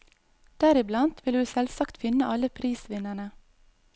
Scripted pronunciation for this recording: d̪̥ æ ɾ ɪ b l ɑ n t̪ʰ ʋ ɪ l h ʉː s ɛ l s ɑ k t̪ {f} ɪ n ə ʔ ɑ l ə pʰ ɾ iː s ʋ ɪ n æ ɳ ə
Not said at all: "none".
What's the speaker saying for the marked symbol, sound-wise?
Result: f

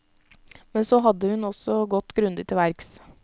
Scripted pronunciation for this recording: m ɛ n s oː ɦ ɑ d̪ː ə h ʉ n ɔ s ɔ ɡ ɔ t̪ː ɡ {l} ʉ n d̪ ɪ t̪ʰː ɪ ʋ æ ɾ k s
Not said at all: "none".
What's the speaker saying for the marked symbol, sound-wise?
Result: ɾ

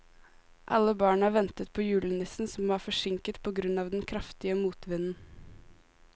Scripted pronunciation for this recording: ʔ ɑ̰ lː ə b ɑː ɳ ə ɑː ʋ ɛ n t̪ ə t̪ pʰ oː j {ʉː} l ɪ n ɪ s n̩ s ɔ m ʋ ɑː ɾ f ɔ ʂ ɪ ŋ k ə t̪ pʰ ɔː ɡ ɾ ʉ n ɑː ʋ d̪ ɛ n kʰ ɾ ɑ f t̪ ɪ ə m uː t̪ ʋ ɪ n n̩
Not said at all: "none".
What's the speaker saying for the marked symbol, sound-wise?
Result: ʉː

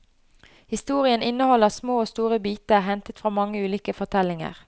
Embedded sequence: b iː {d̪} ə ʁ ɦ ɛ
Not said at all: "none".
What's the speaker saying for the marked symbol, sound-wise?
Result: t̪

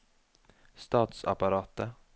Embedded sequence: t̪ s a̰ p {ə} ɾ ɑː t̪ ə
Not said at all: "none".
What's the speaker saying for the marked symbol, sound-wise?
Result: a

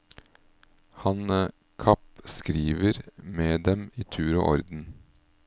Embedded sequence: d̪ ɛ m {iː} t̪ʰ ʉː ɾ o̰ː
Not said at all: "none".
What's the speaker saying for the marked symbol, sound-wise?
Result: iː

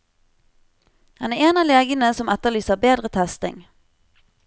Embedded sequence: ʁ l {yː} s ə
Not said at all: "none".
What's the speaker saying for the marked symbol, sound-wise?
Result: yː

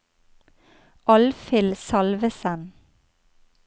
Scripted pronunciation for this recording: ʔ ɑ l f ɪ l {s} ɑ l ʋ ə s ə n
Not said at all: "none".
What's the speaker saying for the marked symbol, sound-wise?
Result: s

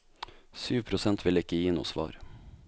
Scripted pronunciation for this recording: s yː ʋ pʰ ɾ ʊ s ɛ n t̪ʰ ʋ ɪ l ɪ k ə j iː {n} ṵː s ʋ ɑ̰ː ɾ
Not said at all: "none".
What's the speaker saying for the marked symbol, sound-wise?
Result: n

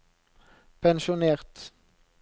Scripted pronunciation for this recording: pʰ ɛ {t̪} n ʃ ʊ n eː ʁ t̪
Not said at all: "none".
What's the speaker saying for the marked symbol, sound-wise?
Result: none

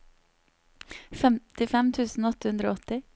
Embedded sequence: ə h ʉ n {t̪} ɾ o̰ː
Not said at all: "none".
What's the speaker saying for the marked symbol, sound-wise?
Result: d̪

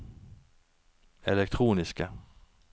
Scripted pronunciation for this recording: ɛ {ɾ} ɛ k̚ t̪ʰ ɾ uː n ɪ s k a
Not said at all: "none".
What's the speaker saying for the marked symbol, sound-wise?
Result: l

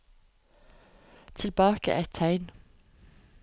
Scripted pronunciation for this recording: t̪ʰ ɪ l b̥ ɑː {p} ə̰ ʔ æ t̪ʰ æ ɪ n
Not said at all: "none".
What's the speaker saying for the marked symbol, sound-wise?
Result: k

